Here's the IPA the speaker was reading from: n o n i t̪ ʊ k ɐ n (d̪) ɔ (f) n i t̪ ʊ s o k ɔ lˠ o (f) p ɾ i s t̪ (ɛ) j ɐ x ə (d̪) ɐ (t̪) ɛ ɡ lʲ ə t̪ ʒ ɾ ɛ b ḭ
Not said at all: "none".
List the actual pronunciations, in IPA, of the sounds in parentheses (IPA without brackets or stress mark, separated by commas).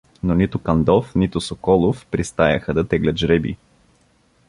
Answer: d̪, f, f, a, d̪, t̪